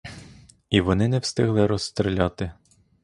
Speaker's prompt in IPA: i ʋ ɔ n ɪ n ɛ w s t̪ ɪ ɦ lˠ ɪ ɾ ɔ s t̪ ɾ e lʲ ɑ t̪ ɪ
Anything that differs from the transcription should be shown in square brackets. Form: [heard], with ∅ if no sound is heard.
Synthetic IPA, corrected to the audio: i ʋ ɔ n ɪ n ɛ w s t̪ ɪ ɦ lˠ ɪ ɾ ɔ s t̪ ɾ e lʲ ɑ t̪ ɪ